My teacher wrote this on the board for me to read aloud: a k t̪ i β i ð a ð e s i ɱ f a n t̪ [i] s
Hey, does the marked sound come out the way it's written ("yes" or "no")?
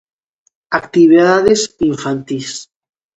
yes